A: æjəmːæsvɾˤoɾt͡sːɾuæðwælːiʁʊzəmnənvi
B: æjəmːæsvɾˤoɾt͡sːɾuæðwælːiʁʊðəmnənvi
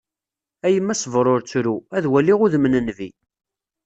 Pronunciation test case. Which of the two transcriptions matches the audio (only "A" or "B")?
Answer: B